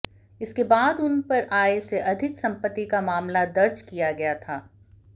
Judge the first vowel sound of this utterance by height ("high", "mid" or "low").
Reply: high